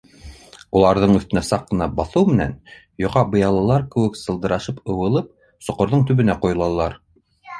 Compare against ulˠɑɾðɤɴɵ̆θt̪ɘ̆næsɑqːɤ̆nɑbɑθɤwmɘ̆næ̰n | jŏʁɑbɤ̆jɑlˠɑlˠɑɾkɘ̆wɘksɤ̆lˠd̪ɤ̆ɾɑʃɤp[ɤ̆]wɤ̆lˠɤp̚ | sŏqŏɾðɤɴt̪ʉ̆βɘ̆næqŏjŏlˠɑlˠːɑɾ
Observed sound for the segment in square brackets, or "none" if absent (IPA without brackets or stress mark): ɤ̆